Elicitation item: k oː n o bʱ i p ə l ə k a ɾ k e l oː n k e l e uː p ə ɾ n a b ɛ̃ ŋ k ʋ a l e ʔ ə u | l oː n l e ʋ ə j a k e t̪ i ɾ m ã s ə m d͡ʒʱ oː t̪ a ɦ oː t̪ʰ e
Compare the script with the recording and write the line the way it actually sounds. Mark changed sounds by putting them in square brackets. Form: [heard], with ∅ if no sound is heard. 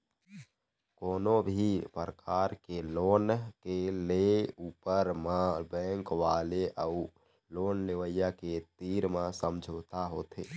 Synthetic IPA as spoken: k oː n o bʱ i p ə [ɾ] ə k a ɾ k e l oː n k e l e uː p ə ɾ [m] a b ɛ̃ ŋ k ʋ a l e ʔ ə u | l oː n l e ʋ ə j a k e t̪ i ɾ m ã s ə m d͡ʒʱ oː t̪ a ɦ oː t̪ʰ e

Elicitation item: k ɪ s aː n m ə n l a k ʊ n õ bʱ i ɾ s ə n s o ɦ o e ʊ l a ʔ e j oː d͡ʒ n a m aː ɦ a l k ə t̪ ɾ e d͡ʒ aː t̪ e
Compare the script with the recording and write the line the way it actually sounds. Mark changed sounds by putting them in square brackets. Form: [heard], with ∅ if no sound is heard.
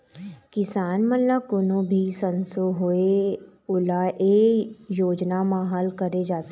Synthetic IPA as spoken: k ɪ s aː n m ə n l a k ʊ n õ bʱ i [∅] s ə n s o ɦ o e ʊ l a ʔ e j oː d͡ʒ n a m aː ɦ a l k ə [∅] ɾ e d͡ʒ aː t̪ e

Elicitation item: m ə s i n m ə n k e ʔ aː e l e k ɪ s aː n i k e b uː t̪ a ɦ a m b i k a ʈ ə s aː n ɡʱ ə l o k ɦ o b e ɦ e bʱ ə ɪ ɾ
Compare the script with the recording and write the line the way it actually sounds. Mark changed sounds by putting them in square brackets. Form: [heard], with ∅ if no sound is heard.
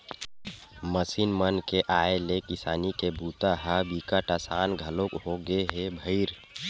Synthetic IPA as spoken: m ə s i n m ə n k e ʔ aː e l e k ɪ s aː n i k e b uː t̪ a ɦ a [∅] b i k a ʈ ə s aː n ɡʱ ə l o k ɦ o [ɡ] e ɦ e bʱ ə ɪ ɾ

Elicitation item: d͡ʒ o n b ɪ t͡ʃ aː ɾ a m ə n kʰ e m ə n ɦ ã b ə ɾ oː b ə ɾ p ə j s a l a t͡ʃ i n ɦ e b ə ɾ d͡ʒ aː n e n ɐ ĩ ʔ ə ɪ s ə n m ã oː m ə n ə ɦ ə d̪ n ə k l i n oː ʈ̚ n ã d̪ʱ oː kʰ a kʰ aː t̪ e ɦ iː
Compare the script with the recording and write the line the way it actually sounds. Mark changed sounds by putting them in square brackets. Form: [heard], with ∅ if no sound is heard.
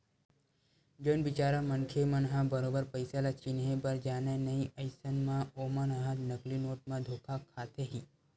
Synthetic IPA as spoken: d͡ʒ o n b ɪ t͡ʃ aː ɾ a m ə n kʰ e m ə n ɦ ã b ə ɾ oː b ə ɾ p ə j s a l a t͡ʃ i n ɦ e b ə ɾ d͡ʒ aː n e n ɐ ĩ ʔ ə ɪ s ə n m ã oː m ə n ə ɦ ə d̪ n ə k l i n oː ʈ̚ [m] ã d̪ʱ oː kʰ a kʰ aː t̪ e ɦ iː

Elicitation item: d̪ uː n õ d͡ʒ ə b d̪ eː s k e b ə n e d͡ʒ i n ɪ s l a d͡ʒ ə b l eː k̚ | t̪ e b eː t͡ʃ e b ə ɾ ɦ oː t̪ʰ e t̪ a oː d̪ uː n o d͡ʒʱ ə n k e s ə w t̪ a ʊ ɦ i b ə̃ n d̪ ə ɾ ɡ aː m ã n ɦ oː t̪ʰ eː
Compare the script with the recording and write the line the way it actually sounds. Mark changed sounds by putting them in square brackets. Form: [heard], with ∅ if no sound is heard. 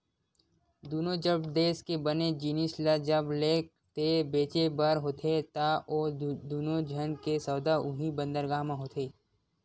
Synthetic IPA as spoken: d̪ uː n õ d͡ʒ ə b d̪ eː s k e b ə n e d͡ʒ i n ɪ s l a d͡ʒ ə b l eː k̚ | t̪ e b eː t͡ʃ e b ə ɾ ɦ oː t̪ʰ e t̪ a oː d̪ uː n o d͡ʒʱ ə n k e s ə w [d̪] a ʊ ɦ i b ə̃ n d̪ ə ɾ ɡ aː m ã [∅] ɦ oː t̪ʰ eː

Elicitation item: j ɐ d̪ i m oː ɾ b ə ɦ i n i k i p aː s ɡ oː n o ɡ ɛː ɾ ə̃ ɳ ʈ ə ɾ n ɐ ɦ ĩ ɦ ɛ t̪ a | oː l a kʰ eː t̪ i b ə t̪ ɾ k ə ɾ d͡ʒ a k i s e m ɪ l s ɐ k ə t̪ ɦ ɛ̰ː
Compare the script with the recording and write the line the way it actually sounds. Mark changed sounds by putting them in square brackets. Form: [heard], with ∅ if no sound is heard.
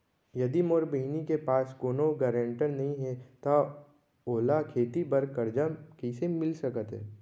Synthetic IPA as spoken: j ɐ d̪ i m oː ɾ b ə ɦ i n i k [e] p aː s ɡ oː n o ɡ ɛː ɾ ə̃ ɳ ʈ ə ɾ n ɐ ɦ ĩ ɦ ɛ t̪ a | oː l a kʰ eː t̪ i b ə [∅] ɾ k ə ɾ d͡ʒ a k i s e m ɪ l s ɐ k ə t̪ ɦ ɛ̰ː

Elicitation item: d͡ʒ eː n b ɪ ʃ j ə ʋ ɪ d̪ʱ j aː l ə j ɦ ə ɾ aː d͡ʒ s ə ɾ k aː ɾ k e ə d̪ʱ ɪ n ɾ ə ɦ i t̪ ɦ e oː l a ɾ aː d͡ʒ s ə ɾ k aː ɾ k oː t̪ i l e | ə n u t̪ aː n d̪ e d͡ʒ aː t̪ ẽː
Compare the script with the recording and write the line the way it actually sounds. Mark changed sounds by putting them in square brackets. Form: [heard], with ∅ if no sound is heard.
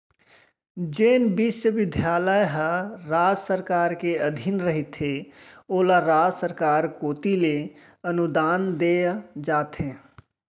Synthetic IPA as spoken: d͡ʒ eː n b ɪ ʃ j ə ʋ ɪ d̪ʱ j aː l ə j ɦ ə ɾ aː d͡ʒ s ə ɾ k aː ɾ k e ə d̪ʱ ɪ n ɾ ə ɦ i t̪ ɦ e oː l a ɾ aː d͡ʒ s ə ɾ k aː ɾ k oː t̪ i l e | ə n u [d̪] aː n d̪ e d͡ʒ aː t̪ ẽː

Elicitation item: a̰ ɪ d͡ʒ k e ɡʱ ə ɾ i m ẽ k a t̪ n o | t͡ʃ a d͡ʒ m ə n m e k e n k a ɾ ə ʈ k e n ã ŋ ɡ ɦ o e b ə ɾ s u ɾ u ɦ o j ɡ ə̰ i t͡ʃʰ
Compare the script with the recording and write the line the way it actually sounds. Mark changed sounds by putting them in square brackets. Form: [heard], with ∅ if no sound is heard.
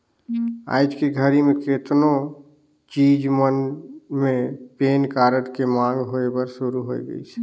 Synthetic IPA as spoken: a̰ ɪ d͡ʒ k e ɡʱ ə ɾ i m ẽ k [e] t̪ n o | t͡ʃ [i] d͡ʒ m ə n m e [p] e n k a ɾ ə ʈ k e [m] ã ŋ ɡ ɦ o e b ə ɾ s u ɾ u ɦ o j ɡ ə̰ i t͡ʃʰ

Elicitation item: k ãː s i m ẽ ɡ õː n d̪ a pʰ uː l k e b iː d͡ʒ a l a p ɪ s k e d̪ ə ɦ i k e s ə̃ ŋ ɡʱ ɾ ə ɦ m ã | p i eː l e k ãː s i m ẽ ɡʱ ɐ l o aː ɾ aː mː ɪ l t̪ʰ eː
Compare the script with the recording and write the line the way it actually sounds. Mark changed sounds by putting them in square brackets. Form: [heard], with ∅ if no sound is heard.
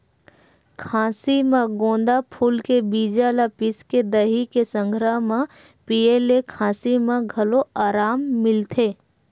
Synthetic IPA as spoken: [kʰ] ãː s i m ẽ ɡ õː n d̪ a pʰ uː l k e b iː d͡ʒ a l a p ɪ s k e d̪ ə ɦ i k e s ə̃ ŋ ɡʱ ɾ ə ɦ m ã | p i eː l e [kʰ] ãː s i m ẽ ɡʱ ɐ l o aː ɾ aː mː ɪ l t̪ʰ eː

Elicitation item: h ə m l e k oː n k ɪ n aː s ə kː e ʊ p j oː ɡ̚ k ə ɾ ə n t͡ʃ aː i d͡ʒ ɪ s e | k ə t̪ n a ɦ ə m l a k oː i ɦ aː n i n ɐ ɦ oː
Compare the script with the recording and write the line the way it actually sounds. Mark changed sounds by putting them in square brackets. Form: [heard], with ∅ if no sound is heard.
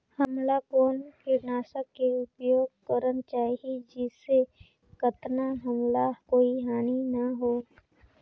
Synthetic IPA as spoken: h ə m l [a] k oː n k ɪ n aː s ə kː e ʊ p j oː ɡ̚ k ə ɾ ə n t͡ʃ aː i d͡ʒ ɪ s e | k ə t̪ n a ɦ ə m l a k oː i ɦ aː n i n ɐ ɦ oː

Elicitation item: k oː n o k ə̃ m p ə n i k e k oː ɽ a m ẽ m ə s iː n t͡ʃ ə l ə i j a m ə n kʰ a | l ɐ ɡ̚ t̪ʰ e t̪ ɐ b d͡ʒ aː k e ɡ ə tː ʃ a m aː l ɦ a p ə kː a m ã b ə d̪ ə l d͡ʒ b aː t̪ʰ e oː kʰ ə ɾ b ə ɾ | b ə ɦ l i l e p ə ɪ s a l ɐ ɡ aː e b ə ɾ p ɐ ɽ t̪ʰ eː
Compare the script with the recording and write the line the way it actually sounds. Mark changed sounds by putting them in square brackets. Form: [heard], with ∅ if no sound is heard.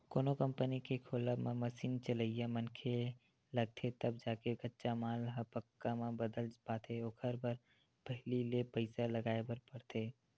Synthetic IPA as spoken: k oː n o k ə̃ m p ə n i k e [kʰ] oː [l] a m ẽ m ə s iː n t͡ʃ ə l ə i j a m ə n kʰ [e] | l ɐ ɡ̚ t̪ʰ e t̪ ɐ b d͡ʒ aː k e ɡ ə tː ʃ a m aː l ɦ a p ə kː a m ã b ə d̪ ə l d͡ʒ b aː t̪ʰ e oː kʰ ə ɾ b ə ɾ | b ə ɦ l i l e p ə ɪ s a l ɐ ɡ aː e b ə ɾ p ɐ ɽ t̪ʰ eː

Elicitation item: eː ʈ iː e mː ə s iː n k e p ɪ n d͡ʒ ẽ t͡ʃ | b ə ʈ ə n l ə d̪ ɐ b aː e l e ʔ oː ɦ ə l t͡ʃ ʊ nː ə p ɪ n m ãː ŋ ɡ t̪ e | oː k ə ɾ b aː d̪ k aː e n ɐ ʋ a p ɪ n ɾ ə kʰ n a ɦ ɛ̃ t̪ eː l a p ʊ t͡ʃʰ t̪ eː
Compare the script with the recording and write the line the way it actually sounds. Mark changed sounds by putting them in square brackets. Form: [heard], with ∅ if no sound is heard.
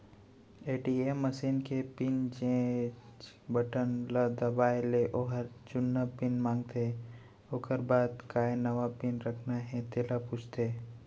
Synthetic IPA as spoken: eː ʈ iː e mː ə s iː n k e p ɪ n d͡ʒ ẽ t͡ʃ | b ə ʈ ə n l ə d̪ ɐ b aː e l e ʔ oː ɦ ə [ɾ] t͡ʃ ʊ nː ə p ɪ n m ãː ŋ ɡ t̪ e | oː k ə ɾ b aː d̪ k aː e n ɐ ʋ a p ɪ n ɾ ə kʰ n a ɦ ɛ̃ t̪ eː l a p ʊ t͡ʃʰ t̪ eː

